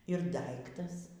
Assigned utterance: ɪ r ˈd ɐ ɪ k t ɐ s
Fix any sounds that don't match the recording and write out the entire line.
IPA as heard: ɪ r ˈd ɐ ɪ k t ɐ s